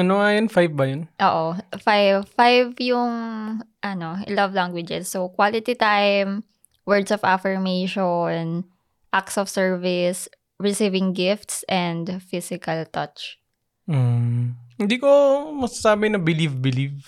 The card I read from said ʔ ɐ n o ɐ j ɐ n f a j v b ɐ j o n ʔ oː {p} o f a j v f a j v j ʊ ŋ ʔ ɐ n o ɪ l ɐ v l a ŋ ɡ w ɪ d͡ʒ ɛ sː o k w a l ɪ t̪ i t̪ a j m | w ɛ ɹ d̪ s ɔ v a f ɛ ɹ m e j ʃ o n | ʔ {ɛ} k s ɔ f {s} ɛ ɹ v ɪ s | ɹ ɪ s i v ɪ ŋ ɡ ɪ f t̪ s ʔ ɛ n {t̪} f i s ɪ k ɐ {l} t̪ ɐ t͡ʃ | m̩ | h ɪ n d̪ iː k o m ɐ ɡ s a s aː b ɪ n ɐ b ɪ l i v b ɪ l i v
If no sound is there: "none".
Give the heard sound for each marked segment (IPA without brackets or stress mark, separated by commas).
ʔ, a, s, d̪, l